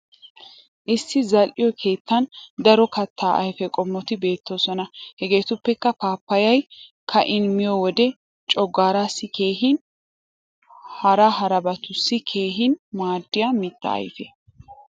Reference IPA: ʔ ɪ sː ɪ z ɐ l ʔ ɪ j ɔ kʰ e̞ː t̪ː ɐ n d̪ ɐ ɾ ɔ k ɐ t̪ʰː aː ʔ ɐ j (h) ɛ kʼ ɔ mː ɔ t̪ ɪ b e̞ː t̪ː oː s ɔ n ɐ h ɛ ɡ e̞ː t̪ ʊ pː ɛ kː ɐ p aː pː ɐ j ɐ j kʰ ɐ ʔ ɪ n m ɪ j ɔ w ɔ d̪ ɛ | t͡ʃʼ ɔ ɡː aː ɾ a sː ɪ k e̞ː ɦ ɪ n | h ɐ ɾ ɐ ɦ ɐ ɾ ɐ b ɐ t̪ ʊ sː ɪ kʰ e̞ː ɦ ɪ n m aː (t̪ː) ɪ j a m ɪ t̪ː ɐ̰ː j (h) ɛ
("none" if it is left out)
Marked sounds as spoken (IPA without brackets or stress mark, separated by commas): f, d̪ː, f